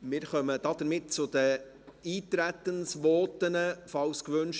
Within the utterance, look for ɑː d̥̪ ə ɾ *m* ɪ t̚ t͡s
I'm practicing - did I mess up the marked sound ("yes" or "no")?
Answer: no